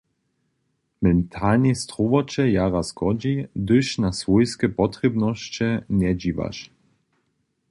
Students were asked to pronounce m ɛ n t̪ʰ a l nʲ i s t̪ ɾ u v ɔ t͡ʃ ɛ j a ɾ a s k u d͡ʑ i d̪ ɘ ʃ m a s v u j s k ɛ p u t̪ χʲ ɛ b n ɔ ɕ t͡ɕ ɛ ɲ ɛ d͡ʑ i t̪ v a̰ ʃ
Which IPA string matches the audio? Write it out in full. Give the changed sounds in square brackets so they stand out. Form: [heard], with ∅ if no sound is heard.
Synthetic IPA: m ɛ n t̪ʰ a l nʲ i s t̪ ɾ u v ɔ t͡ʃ ɛ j a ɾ a s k [ɔ] d͡ʑ i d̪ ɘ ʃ [n] a s v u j s k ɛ p [ɔ] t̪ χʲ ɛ b n ɔ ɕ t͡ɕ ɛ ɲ ɛ d͡ʑ i [∅] v a̰ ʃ